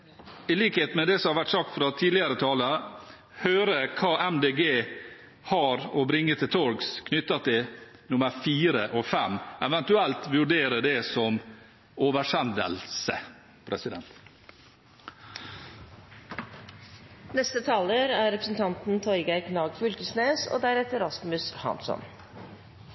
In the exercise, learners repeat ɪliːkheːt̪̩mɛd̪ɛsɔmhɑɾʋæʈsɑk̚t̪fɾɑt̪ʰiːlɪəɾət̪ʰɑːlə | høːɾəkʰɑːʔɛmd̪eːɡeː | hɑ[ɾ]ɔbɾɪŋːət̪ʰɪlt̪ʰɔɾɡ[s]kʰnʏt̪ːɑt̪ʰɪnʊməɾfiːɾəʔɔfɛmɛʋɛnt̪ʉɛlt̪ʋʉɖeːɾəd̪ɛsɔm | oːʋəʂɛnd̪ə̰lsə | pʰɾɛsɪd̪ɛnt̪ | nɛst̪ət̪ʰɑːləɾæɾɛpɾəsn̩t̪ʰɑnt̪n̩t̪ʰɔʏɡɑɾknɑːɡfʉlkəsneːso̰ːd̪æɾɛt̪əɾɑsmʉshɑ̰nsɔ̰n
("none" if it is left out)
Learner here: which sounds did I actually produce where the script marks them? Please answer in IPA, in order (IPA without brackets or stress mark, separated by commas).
ɾ, s